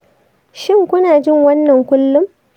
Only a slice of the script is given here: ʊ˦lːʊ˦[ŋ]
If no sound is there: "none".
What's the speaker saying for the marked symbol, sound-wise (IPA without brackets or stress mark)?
m